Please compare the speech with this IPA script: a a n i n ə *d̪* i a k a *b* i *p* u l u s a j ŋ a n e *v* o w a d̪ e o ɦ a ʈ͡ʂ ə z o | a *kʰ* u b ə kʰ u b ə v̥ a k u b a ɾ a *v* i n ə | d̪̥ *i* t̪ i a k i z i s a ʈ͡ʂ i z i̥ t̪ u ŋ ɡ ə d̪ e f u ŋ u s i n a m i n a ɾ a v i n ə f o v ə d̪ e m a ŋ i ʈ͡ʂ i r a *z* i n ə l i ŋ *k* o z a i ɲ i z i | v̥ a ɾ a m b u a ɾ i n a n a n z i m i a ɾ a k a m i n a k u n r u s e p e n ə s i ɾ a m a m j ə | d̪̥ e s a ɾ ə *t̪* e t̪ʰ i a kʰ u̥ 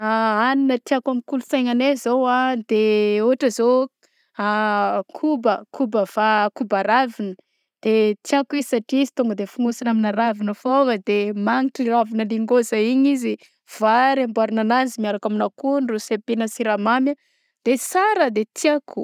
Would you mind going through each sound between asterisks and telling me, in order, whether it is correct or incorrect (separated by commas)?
incorrect, incorrect, incorrect, incorrect, correct, correct, incorrect, incorrect, incorrect, incorrect